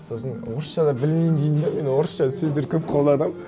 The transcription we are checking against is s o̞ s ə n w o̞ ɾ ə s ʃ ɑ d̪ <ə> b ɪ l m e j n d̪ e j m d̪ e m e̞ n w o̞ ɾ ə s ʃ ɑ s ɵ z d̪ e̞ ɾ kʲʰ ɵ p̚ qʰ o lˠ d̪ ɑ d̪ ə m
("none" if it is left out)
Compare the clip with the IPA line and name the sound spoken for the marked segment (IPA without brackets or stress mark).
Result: ɑ